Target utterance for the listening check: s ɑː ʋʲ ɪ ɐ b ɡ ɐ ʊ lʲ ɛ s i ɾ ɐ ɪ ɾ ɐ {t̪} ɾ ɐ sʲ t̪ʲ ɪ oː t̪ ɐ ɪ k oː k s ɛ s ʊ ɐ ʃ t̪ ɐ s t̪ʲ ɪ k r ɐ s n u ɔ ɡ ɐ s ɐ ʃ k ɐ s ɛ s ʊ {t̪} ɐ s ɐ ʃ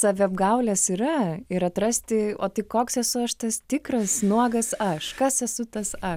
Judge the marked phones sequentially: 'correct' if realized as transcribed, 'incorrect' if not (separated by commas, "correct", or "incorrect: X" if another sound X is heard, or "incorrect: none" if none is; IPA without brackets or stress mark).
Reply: correct, correct